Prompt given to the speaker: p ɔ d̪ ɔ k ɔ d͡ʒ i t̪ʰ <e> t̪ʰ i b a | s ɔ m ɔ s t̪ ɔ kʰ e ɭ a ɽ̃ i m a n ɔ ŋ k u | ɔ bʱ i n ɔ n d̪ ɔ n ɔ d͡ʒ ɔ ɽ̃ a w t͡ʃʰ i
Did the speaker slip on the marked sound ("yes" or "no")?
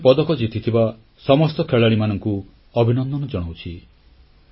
yes